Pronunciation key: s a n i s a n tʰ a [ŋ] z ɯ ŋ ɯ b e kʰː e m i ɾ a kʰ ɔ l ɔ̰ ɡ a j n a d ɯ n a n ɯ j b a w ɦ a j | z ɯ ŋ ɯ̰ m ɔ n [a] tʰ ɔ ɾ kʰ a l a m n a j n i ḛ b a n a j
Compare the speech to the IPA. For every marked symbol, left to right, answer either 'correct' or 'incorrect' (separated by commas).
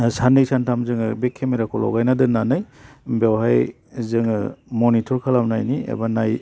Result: incorrect, incorrect